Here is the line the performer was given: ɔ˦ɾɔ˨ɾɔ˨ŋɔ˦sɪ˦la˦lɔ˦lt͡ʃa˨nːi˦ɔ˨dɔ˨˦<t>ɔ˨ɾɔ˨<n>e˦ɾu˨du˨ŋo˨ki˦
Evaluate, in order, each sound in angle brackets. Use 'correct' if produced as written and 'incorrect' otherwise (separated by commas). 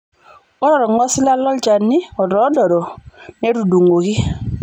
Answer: incorrect, correct